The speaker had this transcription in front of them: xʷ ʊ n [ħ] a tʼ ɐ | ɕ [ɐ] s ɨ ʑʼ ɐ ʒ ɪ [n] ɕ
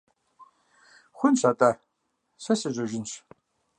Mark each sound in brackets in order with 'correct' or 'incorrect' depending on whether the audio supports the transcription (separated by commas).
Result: incorrect, correct, correct